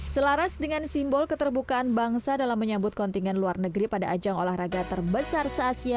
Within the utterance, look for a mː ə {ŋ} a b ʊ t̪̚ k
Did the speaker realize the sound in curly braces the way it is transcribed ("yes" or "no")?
no